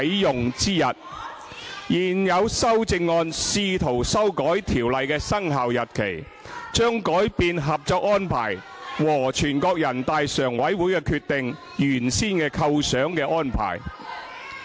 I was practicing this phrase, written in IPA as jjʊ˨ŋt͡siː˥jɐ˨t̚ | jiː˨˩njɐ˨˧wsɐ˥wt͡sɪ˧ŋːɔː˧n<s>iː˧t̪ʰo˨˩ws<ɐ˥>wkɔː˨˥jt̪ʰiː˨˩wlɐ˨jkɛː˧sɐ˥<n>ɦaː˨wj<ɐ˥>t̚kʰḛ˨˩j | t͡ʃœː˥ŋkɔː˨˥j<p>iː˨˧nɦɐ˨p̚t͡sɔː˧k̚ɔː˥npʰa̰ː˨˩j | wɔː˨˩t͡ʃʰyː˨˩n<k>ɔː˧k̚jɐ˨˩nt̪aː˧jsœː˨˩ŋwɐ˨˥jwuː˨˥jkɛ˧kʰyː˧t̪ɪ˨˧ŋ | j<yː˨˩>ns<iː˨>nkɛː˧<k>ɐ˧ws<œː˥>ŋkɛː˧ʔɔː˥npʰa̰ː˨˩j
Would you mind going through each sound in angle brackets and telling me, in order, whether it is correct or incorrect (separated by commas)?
correct, correct, incorrect, incorrect, correct, correct, correct, incorrect, incorrect, incorrect